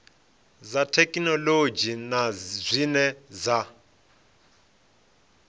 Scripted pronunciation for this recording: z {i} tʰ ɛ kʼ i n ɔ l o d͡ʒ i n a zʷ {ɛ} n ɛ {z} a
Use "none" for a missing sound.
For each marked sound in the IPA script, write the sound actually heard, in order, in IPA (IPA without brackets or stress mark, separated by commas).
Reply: a, i, z